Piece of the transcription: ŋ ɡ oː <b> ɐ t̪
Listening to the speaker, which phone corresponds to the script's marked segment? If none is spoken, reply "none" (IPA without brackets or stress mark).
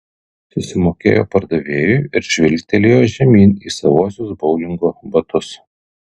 b